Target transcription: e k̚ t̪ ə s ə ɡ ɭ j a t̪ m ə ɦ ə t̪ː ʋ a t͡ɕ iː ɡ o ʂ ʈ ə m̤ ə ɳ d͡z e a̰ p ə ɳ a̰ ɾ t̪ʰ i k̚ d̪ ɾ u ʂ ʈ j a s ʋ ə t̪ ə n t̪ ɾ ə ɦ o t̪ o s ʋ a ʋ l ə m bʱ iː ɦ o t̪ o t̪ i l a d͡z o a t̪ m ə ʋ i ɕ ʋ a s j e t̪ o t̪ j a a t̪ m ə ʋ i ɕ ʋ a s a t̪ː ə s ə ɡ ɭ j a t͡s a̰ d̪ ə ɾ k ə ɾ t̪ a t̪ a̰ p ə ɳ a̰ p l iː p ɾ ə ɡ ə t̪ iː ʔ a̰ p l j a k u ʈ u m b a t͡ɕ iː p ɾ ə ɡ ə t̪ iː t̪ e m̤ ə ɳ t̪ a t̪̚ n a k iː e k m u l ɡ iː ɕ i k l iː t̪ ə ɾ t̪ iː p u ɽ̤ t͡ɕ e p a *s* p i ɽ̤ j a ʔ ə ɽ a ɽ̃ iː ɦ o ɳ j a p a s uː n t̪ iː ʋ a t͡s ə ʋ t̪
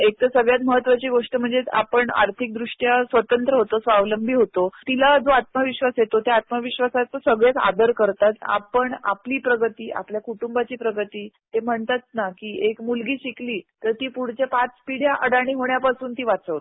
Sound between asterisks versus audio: incorrect: t͡s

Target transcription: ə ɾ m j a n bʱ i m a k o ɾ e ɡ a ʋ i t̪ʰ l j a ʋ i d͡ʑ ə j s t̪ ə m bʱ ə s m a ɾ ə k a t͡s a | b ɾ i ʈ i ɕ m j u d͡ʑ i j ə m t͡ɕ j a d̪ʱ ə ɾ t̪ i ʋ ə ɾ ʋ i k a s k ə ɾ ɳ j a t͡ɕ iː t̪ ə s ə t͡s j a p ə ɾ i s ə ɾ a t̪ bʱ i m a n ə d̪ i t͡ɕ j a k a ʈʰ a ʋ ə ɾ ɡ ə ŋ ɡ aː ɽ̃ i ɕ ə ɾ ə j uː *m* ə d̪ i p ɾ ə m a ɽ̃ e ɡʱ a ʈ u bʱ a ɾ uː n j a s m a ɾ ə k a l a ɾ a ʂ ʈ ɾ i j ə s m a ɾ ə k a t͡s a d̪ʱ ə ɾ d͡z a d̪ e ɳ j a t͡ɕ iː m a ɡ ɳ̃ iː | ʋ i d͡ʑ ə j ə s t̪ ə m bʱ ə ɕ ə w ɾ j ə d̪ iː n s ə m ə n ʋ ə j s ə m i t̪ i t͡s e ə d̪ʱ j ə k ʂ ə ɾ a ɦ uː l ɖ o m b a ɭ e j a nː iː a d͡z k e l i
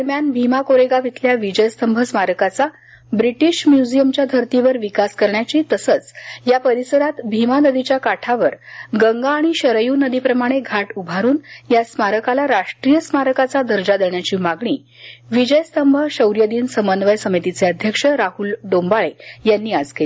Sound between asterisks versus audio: incorrect: n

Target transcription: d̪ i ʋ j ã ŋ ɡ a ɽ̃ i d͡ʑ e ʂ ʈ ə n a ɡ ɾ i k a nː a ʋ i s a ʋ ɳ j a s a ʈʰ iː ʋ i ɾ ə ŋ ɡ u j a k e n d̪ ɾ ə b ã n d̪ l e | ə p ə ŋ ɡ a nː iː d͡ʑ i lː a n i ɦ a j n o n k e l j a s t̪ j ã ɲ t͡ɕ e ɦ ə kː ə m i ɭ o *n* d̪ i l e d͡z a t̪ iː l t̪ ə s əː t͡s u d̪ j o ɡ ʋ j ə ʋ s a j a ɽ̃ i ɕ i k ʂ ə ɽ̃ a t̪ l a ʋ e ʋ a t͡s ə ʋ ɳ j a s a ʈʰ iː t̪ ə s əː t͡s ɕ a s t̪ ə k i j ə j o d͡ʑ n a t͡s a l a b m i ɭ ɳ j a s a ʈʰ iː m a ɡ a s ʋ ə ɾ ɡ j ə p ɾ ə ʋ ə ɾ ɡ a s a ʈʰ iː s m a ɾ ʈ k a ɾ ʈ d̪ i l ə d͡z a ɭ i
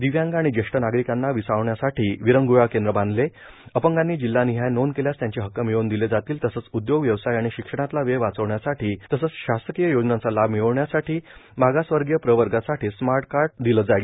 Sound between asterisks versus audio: correct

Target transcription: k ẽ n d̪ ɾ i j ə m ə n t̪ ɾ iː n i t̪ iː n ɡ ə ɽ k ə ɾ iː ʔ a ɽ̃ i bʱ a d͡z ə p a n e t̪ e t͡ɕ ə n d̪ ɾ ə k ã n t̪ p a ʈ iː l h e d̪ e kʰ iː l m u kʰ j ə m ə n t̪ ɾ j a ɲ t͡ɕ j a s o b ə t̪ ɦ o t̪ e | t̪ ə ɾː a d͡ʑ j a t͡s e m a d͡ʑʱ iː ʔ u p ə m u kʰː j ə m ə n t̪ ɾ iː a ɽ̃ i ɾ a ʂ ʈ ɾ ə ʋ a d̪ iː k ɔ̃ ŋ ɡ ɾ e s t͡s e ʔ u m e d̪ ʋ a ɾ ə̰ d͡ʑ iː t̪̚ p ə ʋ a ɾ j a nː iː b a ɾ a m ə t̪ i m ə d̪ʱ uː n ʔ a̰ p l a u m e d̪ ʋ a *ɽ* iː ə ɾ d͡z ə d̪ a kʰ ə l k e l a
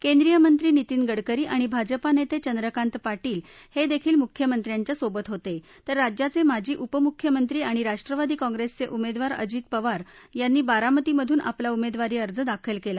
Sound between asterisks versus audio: incorrect: ɾ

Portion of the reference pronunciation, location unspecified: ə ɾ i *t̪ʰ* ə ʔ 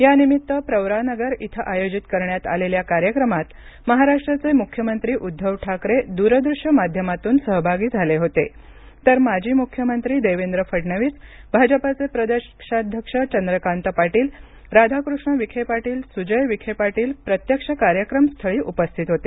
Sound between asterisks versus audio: correct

